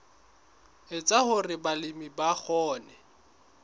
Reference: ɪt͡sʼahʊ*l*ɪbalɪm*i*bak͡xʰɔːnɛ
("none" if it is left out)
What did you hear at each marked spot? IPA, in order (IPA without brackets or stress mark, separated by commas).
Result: r, i